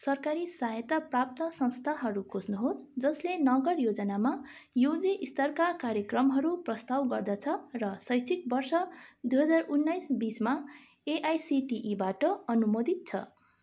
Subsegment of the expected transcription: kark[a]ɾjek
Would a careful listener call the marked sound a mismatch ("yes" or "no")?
no